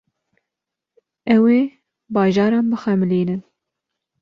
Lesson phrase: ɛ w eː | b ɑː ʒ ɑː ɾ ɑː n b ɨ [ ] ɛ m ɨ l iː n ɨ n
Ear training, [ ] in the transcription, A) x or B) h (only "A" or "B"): A